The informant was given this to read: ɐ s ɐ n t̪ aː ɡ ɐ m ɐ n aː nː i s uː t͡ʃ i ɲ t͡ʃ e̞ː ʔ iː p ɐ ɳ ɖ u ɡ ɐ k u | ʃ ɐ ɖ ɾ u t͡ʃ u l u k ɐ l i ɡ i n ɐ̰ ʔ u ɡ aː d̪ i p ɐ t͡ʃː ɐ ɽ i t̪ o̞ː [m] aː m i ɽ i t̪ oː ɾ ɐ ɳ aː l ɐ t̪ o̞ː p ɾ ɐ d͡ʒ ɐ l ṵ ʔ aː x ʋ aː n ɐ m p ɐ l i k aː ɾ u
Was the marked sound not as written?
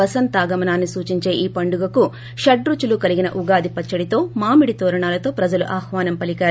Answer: no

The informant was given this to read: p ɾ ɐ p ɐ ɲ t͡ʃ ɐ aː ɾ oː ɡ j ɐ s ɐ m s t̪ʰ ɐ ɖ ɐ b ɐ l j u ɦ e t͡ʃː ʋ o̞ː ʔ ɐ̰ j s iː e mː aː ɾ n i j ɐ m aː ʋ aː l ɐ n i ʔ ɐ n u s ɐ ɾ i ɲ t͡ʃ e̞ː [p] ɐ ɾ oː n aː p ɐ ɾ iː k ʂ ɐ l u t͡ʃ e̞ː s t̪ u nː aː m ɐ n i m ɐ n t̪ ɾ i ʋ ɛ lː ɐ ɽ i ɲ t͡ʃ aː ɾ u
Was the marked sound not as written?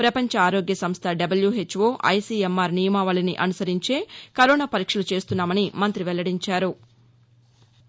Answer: yes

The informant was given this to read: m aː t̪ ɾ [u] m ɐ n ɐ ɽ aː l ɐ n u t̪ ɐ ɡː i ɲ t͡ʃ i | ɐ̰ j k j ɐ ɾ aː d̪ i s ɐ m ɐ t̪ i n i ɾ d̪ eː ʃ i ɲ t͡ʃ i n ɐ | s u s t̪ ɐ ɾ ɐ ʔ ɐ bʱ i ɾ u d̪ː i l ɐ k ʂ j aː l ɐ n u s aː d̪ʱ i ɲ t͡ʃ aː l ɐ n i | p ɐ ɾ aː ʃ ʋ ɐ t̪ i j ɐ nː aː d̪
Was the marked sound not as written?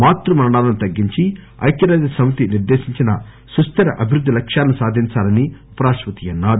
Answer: no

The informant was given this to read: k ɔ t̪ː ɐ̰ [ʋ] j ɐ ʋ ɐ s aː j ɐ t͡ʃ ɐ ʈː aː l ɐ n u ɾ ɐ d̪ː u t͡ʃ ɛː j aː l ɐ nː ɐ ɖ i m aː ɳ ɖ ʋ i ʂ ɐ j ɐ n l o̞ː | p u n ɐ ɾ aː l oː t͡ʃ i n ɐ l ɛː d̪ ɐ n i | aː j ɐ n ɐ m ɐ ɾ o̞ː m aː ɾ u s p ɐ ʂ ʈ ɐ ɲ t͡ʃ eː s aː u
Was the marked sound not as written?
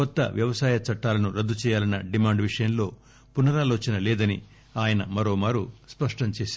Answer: no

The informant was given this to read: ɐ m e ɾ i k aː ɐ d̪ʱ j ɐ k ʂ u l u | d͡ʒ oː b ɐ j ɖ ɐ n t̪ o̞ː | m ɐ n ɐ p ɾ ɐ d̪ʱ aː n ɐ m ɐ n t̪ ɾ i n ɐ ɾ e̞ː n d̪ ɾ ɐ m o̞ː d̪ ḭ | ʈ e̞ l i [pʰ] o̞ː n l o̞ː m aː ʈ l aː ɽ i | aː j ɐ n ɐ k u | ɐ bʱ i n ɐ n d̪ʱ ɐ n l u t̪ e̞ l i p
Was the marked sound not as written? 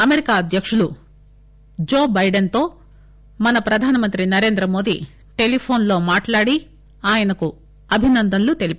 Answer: no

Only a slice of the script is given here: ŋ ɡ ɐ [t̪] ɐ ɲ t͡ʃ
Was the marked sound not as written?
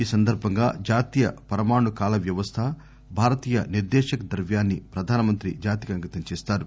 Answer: no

